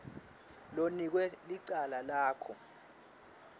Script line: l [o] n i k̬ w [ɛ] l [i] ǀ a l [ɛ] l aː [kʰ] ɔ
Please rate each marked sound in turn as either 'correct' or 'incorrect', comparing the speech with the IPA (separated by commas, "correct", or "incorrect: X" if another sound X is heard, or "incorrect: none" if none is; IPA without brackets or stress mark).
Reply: correct, correct, correct, incorrect: a, correct